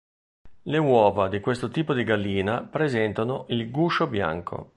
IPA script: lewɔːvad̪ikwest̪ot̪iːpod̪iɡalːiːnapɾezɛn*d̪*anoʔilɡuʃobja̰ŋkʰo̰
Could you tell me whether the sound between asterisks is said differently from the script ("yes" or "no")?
yes